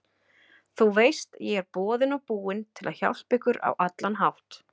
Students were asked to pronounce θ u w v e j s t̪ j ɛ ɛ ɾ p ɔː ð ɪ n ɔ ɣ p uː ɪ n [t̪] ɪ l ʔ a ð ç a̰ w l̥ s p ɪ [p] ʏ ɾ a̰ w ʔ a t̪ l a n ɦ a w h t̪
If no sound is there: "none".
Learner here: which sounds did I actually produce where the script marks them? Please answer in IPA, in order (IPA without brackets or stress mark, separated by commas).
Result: t̪ʰ, k